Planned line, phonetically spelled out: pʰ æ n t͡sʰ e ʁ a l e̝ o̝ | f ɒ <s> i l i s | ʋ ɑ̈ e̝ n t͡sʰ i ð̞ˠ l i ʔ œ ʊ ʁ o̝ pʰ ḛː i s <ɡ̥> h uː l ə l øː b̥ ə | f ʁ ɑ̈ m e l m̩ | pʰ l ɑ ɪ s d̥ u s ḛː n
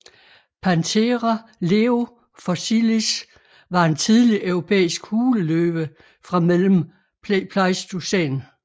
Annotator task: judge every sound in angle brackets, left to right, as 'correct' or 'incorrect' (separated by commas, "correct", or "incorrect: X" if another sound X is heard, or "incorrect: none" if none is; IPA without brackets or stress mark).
correct, correct